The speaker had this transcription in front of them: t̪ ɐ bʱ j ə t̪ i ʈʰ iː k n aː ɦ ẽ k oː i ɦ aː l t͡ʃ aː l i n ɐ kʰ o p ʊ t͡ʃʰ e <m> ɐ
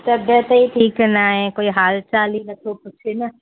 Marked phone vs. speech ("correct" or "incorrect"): incorrect